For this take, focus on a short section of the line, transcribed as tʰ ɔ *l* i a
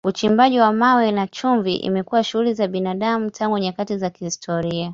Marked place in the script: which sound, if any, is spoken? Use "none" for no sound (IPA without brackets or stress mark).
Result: ɾ